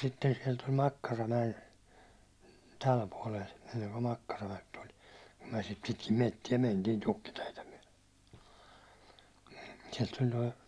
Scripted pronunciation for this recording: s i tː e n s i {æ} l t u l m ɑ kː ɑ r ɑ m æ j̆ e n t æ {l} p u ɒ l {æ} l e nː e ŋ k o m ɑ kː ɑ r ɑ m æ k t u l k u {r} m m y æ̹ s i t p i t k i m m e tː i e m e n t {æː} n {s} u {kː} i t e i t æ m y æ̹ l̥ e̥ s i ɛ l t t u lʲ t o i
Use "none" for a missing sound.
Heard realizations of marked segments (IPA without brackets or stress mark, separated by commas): ɛ, l, e, none, iː, t, kː